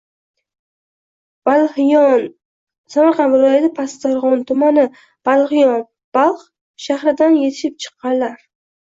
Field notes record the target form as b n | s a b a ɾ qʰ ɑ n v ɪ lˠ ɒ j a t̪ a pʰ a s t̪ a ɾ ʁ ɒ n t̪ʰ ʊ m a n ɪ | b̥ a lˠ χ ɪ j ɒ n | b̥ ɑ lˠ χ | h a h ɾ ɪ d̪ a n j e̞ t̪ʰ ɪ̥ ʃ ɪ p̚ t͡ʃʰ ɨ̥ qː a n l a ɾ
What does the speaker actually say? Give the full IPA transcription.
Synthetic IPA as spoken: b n | s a m a ɾ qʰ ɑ n v ɪ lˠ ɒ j a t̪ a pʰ a s t̪ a ɾ ʁ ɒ n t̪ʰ ʊ m a n ɪ | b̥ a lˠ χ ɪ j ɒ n | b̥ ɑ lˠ χ | ʃ a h ɾ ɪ d̪ a n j e̞ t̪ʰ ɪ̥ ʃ ɪ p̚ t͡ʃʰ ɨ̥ qː ɑ n l a ɾ